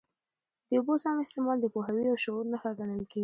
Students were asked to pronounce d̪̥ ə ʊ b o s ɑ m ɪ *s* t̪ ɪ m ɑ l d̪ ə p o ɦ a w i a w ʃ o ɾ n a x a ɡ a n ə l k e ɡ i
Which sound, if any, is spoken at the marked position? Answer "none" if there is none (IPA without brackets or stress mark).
s